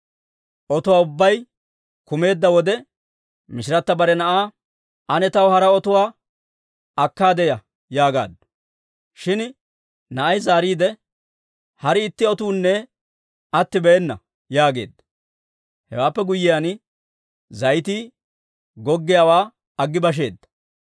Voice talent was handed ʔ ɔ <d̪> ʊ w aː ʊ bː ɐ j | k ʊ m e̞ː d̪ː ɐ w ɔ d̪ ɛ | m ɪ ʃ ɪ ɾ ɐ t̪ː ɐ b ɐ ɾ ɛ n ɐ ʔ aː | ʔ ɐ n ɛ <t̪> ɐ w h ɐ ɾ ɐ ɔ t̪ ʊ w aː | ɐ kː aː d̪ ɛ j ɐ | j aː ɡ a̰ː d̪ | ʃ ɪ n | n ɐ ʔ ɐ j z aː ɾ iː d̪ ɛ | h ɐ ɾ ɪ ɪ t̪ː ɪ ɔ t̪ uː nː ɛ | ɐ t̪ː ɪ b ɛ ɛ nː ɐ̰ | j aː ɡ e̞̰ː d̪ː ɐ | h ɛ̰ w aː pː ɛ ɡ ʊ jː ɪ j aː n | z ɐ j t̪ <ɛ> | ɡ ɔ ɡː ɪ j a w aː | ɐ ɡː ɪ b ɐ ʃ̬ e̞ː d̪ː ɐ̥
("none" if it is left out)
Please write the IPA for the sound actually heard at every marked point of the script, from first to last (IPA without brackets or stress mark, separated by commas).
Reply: t̪, t̪, i